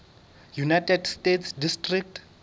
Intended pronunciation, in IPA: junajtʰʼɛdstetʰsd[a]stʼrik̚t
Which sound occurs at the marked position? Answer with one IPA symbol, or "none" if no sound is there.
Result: i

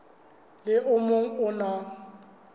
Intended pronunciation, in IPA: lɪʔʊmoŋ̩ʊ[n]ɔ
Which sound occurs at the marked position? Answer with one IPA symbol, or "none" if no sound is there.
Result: n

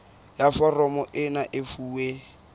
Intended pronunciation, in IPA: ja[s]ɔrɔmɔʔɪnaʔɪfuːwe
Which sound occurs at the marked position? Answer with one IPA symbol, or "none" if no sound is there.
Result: f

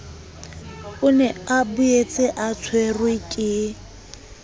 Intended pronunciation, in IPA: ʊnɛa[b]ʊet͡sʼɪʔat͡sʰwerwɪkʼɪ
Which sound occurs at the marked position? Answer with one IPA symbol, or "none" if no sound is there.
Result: b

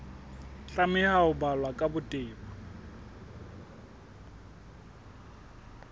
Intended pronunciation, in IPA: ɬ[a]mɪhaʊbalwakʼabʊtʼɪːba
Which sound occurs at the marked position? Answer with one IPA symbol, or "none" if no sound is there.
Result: a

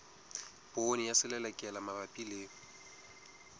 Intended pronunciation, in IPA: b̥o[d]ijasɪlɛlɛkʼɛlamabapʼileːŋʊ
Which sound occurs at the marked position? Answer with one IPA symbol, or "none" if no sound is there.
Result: n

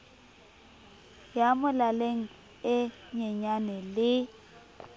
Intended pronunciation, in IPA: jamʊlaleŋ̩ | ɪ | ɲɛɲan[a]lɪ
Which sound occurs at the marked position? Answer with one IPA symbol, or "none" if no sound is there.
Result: ɛ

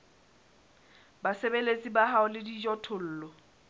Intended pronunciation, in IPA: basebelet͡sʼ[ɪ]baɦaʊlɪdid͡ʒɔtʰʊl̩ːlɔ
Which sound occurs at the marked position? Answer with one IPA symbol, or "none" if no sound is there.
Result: i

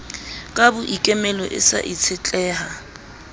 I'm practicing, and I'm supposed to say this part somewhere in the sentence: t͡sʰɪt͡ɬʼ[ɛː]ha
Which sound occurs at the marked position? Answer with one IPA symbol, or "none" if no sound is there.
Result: ɛː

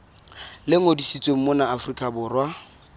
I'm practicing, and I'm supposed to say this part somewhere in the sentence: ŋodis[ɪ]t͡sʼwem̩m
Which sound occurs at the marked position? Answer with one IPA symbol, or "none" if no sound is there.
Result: i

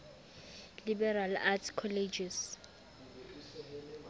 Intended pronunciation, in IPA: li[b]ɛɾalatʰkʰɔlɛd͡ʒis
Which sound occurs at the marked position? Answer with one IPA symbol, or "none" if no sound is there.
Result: b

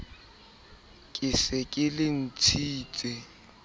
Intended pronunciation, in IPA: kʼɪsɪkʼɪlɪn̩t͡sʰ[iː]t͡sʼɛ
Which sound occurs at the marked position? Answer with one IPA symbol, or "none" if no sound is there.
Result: iː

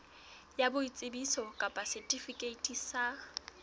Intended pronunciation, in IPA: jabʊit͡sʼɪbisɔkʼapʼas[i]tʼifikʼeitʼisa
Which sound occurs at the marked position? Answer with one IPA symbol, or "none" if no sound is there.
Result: ɛ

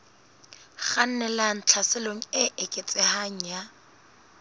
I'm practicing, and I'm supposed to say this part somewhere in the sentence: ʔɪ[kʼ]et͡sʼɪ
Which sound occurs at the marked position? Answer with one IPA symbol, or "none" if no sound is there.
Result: kʼ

